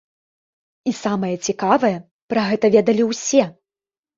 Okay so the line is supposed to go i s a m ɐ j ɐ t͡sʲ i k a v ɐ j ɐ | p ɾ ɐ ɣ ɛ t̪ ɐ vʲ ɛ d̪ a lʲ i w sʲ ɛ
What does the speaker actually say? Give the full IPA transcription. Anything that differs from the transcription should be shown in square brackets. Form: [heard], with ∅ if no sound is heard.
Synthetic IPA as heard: i s a m ɐ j ɐ t͡sʲ i k a v ɐ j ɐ | p ɾ ɐ ɣ ɛ t̪ ɐ vʲ ɛ d̪ [ɐ] lʲ i w sʲ ɛ